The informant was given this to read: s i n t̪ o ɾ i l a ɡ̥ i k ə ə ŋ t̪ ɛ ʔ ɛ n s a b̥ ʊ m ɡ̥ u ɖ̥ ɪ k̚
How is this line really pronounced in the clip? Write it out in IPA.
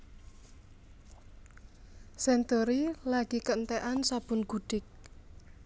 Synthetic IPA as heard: s ɛ n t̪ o ɾ i l a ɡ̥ i k ə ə n t̪ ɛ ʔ a n s a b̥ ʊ n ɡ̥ u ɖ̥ ɪ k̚